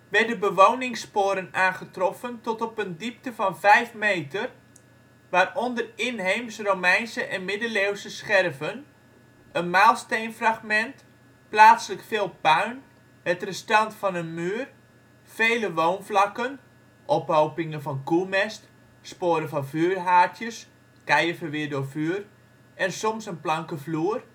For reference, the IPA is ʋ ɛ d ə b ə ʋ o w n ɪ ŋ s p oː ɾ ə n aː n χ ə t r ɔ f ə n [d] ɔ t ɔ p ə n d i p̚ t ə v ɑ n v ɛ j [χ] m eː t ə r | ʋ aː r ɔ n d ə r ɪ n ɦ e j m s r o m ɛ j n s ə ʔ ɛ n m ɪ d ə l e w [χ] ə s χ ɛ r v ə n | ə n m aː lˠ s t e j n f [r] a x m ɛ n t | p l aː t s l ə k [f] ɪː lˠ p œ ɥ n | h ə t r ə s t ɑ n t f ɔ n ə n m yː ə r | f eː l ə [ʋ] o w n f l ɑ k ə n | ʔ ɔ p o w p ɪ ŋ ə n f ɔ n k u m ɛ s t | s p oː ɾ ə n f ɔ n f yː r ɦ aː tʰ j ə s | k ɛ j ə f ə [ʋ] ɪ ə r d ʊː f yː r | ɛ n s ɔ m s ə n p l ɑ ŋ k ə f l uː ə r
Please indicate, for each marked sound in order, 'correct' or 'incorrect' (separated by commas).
incorrect, incorrect, incorrect, correct, correct, correct, correct